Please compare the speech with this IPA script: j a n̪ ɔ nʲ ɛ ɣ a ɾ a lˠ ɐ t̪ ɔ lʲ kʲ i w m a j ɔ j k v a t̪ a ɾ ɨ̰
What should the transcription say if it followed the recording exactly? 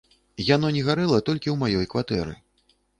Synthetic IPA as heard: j a n̪ ɔ nʲ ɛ ɣ a ɾ ɛ lˠ ɐ t̪ ɔ lʲ kʲ i w m a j ɔ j k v a t̪ ɛ ɾ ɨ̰